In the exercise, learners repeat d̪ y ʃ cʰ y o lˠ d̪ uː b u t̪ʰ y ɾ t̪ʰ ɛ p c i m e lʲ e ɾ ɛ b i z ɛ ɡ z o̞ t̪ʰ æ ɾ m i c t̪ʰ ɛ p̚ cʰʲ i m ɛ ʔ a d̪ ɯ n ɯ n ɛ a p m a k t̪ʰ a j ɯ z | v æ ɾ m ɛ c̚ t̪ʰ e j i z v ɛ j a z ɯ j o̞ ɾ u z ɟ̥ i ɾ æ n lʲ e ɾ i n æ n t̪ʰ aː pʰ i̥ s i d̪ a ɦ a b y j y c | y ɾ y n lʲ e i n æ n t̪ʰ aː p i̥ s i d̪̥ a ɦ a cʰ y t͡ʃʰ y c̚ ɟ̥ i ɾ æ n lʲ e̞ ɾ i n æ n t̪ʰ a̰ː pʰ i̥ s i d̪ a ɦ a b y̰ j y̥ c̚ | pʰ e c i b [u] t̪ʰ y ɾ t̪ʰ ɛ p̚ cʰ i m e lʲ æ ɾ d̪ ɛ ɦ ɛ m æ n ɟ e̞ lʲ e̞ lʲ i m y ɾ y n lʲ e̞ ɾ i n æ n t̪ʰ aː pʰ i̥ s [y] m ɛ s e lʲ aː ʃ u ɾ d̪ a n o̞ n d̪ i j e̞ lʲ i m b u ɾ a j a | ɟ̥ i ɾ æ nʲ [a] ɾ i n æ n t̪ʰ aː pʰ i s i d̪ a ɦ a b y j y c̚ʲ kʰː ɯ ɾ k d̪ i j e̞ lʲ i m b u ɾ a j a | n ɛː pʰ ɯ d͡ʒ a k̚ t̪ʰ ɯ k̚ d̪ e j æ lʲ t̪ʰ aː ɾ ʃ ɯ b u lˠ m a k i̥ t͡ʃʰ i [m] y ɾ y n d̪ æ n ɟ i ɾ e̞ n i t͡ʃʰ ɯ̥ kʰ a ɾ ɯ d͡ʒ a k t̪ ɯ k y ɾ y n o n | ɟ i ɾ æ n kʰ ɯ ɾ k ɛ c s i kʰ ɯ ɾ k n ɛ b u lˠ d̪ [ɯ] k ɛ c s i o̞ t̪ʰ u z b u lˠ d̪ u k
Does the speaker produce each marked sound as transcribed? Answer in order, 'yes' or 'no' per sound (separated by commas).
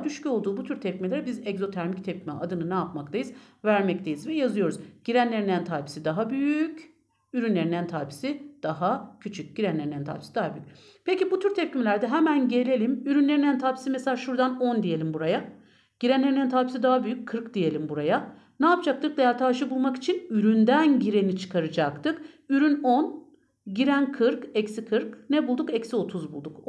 yes, no, no, no, no